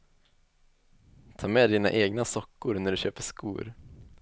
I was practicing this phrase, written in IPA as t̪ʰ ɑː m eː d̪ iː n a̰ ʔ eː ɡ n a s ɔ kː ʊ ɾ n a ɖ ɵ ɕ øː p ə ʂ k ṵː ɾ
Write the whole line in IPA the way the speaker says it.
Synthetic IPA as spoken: t̪ʰ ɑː m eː d̪ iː n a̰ ʔ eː ɡ n a s ɔ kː ʊ ɾ n æ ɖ ɵ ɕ øː p ə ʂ k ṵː ɾ